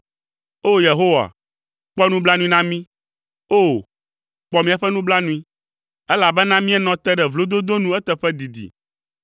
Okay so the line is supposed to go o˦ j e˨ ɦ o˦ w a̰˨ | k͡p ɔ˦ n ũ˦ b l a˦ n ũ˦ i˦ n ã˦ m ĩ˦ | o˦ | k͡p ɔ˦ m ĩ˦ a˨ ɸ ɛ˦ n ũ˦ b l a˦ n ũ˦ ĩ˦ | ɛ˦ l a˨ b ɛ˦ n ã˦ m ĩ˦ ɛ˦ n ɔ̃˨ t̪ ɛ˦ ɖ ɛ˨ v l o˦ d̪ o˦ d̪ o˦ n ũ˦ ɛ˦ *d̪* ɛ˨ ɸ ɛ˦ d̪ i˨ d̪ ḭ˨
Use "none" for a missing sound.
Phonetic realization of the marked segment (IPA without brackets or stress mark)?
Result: t̪